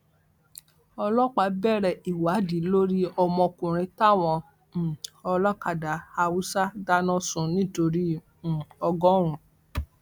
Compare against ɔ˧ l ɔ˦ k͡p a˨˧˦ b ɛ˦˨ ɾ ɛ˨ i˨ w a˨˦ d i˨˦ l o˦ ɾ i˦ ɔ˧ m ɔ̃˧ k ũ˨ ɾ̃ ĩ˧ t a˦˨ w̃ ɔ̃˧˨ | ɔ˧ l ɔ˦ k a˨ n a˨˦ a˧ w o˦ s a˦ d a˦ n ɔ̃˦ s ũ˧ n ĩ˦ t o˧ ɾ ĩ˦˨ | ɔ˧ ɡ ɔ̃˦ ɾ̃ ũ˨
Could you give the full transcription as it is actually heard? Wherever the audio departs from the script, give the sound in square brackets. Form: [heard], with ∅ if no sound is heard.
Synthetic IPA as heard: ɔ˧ l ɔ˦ k͡p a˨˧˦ b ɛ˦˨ ɾ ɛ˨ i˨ w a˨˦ d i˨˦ l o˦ ɾ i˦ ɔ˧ m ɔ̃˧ k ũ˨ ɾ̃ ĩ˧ t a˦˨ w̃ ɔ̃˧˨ | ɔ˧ l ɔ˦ k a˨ [d] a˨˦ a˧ w [u˦] s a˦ d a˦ n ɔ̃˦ s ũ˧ n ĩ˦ t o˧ ɾ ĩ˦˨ | ɔ˧ ɡ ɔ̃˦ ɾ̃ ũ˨